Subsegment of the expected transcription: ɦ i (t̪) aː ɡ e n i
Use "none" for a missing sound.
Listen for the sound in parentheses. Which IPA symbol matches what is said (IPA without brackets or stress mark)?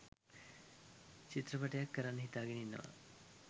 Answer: t̪